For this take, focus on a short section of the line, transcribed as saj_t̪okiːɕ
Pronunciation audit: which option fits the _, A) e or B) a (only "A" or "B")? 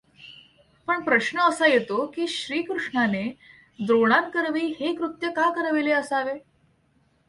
A